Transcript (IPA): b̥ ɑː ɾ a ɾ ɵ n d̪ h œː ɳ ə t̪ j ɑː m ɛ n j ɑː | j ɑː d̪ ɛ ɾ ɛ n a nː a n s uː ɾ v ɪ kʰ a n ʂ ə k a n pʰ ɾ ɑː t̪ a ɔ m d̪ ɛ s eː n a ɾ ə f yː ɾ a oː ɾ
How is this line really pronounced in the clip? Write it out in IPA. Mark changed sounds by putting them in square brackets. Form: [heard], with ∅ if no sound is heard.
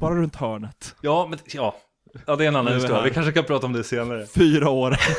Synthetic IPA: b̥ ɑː ɾ a ɾ ɵ n [t̪] h œː ɳ ə t̪ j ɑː m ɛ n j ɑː | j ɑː d̪ ɛ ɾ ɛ n a nː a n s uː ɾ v ɪ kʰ a n ʂ ə k a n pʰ ɾ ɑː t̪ a ɔ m d̪ ɛ s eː n a ɾ ə f yː ɾ a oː ɾ